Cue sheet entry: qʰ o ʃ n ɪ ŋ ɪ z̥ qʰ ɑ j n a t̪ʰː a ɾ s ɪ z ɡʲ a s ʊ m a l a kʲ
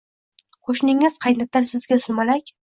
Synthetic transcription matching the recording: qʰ o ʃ n ɪ ŋ ɪ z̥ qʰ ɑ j n a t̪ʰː a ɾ s ɪ z ɡʲ a s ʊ m a l a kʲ